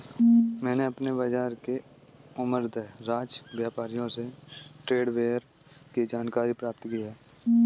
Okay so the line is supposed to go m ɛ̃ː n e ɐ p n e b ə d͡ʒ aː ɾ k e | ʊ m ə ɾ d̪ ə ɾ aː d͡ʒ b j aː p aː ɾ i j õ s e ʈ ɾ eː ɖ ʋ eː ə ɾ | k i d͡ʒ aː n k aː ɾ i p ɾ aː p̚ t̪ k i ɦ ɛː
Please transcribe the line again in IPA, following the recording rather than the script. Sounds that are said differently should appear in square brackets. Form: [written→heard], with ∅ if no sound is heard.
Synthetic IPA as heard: m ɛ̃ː n e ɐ p n e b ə d͡ʒ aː ɾ k e | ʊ m ə ɾ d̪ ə ɾ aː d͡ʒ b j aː p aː ɾ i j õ s e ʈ ɾ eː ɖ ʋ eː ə ɾ | k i d͡ʒ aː n k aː ɾ i p ɾ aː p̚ t̪ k i ɦ ɛː